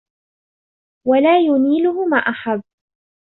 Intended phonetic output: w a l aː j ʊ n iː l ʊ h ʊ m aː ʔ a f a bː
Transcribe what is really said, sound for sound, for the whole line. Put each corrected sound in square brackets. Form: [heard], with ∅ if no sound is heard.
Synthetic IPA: w a l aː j ʊ n iː l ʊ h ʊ m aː ʔ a [ħ] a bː